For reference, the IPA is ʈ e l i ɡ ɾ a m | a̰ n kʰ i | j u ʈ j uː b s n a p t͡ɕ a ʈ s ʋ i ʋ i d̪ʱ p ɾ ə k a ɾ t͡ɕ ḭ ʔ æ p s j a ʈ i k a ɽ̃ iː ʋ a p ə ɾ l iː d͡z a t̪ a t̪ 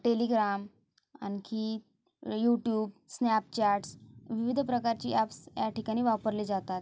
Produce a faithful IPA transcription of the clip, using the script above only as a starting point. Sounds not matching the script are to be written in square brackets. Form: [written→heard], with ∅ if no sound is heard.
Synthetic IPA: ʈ e l i ɡ ɾ a m | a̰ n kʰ i | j u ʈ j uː b s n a p t͡ɕ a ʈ s ʋ i ʋ i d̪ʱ p ɾ ə k a ɾ t͡ɕ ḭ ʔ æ p s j a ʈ i k a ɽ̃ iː ʋ a p ə ɾ l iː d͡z a t̪ a t̪

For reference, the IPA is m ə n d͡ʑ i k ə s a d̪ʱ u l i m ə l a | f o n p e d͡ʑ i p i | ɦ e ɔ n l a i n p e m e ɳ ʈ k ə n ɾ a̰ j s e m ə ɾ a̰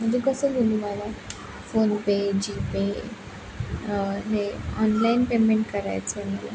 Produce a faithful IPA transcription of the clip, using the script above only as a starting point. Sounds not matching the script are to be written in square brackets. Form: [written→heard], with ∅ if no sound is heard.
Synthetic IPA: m ə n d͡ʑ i k ə s [a→ə] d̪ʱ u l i m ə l a | f o n p e d͡ʑ i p [i→e] | ɦ e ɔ n l a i n p e m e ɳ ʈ k ə [n→∅] ɾ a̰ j [s→t͡s] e m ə [ɾ→l] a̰

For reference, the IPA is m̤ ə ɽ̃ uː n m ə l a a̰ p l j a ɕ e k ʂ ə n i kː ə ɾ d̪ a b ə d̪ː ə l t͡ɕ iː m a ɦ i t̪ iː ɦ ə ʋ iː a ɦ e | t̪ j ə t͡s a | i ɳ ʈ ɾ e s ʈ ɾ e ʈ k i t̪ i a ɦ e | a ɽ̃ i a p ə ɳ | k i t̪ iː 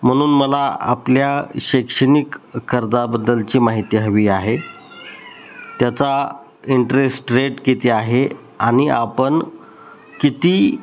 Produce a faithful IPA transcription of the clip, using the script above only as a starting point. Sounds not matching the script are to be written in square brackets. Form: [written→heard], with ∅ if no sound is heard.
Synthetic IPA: m̤ ə ɽ̃ uː n m ə l a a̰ p l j a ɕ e k ʂ ə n i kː ə ɾ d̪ a b ə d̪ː ə l t͡ɕ iː m a ɦ i t̪ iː ɦ ə ʋ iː a ɦ e | t̪ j [ə→a] t͡s a | i ɳ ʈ ɾ e s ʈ ɾ e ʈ k i t̪ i a ɦ e | a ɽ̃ i a p ə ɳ | k i t̪ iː

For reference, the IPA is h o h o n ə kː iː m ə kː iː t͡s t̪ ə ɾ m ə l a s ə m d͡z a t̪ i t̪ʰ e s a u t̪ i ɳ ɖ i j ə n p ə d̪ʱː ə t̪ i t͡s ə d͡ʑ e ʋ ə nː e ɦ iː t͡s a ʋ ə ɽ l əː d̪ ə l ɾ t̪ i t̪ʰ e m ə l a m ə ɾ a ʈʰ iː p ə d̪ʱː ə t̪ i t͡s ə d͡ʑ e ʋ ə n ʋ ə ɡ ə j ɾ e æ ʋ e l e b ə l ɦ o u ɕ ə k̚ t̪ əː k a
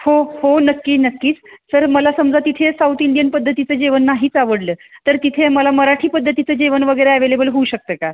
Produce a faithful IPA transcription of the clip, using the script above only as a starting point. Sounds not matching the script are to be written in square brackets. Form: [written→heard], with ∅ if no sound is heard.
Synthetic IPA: h o h o n ə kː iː [m→n] ə kː iː t͡s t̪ ə ɾ m ə l a s ə m d͡z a t̪ i t̪ʰ e s a u t̪ i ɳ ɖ i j ə n p ə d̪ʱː ə t̪ i t͡s ə d͡ʑ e ʋ ə nː [e→a] ɦ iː t͡s a ʋ ə ɽ l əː [d̪→t̪] ə [l→∅] ɾ t̪ i t̪ʰ e m ə l a m ə ɾ a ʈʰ iː p ə d̪ʱː ə t̪ i t͡s ə d͡ʑ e ʋ ə n ʋ ə ɡ ə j ɾ e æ ʋ e l e b ə l ɦ o u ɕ ə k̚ t̪ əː k a

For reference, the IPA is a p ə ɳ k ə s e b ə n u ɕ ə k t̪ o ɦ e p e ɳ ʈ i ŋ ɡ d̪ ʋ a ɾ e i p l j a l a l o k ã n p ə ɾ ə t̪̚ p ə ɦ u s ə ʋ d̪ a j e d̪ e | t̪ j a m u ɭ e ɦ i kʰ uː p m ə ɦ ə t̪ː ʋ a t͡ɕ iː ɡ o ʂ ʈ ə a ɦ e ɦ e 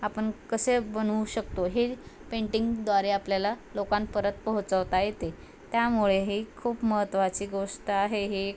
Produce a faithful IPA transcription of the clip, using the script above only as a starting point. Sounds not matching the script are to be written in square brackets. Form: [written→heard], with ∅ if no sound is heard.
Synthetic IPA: a p ə ɳ k ə s e b ə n u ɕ ə k t̪ o ɦ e p e ɳ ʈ i ŋ ɡ d̪ ʋ a ɾ e [i→a] p l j a l a l o k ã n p ə ɾ ə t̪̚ p ə ɦ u [s→t͡s] ə ʋ [d̪→t̪] a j e [d̪→t̪] e | t̪ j a m u ɭ e ɦ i kʰ uː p m ə ɦ ə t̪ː ʋ a t͡ɕ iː ɡ o ʂ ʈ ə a ɦ e ɦ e

